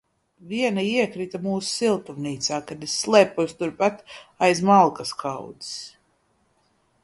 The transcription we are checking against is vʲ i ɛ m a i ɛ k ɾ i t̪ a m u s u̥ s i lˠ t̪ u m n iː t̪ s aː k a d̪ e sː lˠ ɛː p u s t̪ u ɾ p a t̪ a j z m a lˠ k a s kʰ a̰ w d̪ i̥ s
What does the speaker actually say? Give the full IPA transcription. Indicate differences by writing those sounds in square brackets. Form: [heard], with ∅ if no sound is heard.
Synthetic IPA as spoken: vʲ i ɛ [n] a i ɛ k ɾ i t̪ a m [uː] s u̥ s i lˠ t̪ u m n iː t̪ s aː k a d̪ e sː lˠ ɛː p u s t̪ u ɾ p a t̪ a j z m a lˠ k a s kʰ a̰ w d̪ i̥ s